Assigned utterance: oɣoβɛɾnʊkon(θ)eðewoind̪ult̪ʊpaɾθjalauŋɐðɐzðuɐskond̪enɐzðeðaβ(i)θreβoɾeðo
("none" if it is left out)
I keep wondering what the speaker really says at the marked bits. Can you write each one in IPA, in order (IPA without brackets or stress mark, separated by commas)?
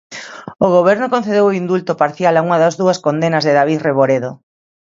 θ, i